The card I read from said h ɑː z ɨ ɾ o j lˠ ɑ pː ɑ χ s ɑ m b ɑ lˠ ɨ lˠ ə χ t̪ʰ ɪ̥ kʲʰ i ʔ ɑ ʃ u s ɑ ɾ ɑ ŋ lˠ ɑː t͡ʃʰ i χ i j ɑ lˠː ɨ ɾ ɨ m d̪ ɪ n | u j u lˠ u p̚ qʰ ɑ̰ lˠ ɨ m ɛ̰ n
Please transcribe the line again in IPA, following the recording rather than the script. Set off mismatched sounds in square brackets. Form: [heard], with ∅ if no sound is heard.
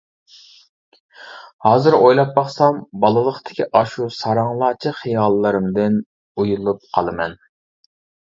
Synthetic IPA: h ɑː z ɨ ɾ o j lˠ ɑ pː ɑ χ s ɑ m b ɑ lˠ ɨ lˠ ə χ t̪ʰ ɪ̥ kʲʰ i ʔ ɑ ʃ u s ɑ ɾ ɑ ŋ lˠ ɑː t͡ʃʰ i χ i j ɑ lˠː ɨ ɾ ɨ m d̪ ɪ n | u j u lˠ u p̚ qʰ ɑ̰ lˠ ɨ m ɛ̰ n

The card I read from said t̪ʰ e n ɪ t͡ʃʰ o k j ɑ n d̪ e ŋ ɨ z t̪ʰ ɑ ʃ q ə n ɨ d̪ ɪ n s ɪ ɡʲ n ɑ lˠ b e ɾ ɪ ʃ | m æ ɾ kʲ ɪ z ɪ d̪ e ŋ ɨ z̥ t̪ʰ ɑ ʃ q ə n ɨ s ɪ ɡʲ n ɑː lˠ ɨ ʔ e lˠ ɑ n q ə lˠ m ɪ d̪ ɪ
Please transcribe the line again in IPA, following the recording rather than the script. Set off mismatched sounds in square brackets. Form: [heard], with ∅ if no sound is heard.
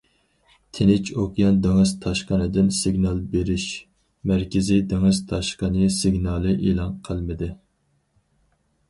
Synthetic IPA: t̪ʰ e n ɪ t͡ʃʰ o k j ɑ n d̪ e ŋ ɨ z t̪ʰ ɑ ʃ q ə n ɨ d̪ ɪ n s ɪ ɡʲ n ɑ lˠ b e ɾ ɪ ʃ | m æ ɾ kʲ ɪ z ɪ d̪ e ŋ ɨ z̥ t̪ʰ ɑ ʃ q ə n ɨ s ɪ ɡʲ n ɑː lˠ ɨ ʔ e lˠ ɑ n [qʰ] ə lˠ m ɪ d̪ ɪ

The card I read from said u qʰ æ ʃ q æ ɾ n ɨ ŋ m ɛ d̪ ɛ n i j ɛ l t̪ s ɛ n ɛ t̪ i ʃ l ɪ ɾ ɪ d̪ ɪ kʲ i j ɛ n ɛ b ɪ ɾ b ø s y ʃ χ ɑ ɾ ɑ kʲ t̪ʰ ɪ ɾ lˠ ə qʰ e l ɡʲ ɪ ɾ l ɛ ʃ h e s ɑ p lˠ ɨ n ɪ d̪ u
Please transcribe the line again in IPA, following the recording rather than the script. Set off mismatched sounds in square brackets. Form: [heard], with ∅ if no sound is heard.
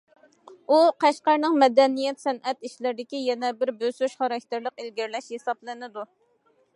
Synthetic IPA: u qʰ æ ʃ q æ ɾ n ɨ ŋ m ɛ d̪ ɛ n i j ɛ [∅] t̪ s ɛ n ɛ t̪ i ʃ l ɪ ɾ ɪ d̪ ɪ kʲ i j ɛ n ɛ b ɪ ɾ b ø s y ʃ χ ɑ ɾ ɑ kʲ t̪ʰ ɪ ɾ lˠ ə [q] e l ɡʲ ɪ ɾ l ɛ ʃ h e s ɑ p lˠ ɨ n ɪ d̪ u

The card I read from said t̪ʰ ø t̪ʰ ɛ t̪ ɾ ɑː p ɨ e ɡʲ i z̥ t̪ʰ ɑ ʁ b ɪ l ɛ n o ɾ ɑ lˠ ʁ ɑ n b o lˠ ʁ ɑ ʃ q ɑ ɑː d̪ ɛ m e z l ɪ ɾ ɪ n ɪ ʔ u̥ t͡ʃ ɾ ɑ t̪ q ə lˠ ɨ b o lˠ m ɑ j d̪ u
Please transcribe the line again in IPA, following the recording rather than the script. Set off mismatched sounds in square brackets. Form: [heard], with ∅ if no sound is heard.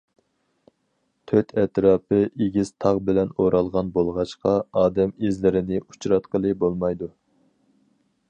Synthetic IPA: t̪ʰ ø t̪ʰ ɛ t̪ ɾ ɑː p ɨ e ɡʲ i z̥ t̪ʰ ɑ ʁ b ɪ l ɛ n o ɾ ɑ lˠ ʁ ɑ n b o lˠ ʁ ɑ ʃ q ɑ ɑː d̪ ɛ m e z l ɪ ɾ ɪ n ɪ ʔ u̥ t͡ʃ ɾ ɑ t̪ q ə lˠ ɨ b o lˠ m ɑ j d̪ u

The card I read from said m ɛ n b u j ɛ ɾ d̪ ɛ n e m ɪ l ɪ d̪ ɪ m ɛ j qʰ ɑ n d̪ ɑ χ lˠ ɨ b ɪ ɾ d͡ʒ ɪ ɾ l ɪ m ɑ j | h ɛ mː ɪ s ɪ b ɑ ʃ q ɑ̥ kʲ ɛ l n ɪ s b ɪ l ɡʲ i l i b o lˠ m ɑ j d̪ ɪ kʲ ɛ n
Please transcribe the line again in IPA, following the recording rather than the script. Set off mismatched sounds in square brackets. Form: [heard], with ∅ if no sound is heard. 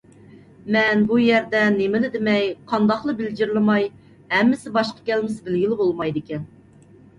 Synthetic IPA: m ɛ n b u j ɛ ɾ d̪ ɛ n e m ɪ l ɪ d̪ ɪ m ɛ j qʰ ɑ n d̪ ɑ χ lˠ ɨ b ɪ [l] d͡ʒ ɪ ɾ l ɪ m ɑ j | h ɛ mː ɪ s ɪ b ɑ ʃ q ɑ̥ kʲ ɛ l [m] ɪ s b ɪ l ɡʲ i l [ɪ] b o lˠ m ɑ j d̪ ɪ kʲ ɛ n

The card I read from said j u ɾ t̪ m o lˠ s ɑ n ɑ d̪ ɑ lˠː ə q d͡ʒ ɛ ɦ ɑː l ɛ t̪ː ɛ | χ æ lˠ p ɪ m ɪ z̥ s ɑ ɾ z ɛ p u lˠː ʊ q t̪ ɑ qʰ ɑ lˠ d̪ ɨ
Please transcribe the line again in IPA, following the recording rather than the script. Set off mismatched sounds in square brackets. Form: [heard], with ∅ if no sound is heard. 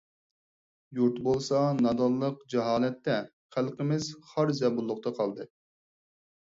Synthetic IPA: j u ɾ t̪ [b] o lˠ s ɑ n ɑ d̪ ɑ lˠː ə q d͡ʒ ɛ ɦ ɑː l ɛ t̪ː ɛ | χ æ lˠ [q] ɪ m ɪ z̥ [χ] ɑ ɾ z ɛ [b] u lˠː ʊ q t̪ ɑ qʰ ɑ lˠ d̪ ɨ

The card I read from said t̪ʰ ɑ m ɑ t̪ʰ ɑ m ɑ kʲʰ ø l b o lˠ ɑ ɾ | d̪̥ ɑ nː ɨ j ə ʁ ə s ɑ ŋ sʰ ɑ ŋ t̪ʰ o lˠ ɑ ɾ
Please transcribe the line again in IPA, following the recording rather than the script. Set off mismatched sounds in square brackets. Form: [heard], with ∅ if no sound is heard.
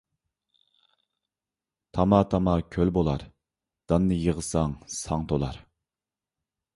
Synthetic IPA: t̪ʰ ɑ m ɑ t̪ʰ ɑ m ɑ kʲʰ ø l b o lˠ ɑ ɾ | d̪̥ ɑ nː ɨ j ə ʁ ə s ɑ ŋ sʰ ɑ ŋ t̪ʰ o lˠ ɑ ɾ

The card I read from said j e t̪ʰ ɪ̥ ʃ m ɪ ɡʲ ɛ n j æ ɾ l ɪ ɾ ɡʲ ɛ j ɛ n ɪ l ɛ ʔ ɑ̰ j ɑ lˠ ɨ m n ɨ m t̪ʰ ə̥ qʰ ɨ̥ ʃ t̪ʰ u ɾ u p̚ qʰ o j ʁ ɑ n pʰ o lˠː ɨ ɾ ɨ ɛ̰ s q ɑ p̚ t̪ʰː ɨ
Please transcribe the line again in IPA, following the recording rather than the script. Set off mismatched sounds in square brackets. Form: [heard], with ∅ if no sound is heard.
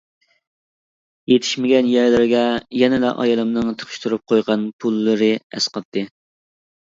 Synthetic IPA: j e t̪ʰ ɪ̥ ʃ m ɪ ɡʲ ɛ n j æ ɾ l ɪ ɾ ɡʲ ɛ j ɛ n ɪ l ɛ ʔ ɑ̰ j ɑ lˠ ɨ m n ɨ [ŋ] t̪ʰ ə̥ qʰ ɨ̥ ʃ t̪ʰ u ɾ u p̚ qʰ o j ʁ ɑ n pʰ [u] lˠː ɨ ɾ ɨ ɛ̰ s q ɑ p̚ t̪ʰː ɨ

